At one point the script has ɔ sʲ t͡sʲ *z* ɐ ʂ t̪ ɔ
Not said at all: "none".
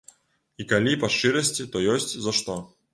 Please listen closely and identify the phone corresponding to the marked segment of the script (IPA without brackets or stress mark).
z